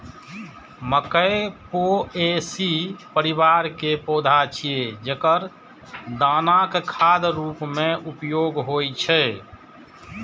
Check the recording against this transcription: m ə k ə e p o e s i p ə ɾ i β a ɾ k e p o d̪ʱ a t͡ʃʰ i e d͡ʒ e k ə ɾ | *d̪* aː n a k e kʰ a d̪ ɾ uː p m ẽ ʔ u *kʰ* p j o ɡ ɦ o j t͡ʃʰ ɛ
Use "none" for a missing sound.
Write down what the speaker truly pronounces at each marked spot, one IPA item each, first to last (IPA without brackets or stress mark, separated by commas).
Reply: d̪, none